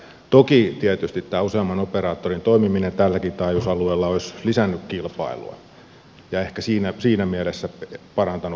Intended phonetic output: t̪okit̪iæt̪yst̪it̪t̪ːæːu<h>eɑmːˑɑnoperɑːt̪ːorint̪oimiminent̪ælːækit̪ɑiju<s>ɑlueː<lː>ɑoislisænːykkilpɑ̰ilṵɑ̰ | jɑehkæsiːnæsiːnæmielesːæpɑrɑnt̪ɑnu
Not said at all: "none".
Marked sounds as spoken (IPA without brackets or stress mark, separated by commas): s, s, lː